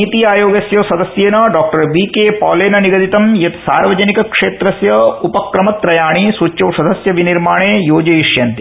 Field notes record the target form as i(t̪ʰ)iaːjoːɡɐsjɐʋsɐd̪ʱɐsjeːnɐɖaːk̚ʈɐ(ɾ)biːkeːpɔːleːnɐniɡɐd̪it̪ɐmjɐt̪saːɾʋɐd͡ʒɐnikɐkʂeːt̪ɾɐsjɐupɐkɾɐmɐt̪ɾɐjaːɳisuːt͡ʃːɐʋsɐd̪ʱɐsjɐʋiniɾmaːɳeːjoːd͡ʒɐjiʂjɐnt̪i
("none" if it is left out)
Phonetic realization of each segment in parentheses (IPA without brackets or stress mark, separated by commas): t̪, ɾ